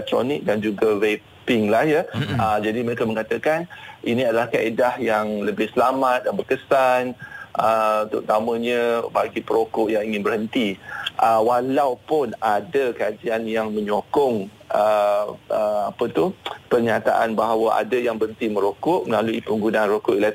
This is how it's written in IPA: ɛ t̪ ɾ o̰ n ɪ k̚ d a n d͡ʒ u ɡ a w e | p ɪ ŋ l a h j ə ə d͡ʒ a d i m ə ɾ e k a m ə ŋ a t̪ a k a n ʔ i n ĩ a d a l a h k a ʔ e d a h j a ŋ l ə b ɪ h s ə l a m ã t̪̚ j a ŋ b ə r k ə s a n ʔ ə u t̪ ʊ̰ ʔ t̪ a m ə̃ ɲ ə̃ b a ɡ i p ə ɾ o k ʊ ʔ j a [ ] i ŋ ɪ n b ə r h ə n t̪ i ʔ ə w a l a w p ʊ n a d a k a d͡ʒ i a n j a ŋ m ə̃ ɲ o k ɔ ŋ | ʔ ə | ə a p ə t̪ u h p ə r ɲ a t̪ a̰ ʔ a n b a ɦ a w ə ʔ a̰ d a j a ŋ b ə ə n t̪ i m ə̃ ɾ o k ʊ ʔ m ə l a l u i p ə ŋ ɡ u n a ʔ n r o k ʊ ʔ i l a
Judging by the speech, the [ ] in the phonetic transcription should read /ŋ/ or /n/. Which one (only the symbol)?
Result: ŋ